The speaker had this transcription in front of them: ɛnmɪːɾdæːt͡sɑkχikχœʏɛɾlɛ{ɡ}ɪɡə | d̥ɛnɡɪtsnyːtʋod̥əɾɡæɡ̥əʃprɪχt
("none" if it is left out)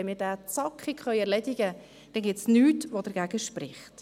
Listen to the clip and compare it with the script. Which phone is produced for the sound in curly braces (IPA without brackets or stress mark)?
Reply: d